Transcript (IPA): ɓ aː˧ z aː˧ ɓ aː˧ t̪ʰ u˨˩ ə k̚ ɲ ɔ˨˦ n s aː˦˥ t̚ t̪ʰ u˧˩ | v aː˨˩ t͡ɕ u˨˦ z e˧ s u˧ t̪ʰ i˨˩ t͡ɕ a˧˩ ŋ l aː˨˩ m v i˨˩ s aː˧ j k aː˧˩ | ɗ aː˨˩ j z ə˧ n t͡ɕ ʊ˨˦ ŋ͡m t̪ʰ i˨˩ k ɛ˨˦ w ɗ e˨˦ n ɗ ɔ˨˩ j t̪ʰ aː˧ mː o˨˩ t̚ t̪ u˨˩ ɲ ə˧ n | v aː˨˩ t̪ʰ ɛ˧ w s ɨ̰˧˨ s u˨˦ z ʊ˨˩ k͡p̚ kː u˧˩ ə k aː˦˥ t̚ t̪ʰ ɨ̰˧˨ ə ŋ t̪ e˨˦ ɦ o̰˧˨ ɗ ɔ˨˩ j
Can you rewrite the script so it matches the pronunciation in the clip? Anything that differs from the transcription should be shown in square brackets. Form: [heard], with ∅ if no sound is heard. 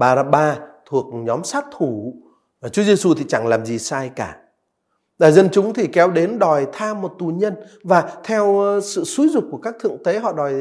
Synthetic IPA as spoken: ɓ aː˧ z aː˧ ɓ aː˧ t̪ʰ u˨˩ ə k̚ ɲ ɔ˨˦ [m] s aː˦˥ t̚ t̪ʰ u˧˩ | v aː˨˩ t͡ɕ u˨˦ z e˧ s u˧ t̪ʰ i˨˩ t͡ɕ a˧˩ ŋ l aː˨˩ m [z] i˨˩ s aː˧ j k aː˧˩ | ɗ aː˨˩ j z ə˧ n t͡ɕ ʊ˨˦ ŋ͡m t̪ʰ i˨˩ k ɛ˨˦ w ɗ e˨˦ n ɗ ɔ˨˩ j t̪ʰ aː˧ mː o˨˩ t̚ t̪ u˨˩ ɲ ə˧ n | v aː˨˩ t̪ʰ ɛ˧ w s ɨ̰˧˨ s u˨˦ z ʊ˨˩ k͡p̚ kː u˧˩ ə k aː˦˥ [k̚] t̪ʰ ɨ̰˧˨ ə ŋ t̪ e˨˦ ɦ [ɔ̰˧˨] ɗ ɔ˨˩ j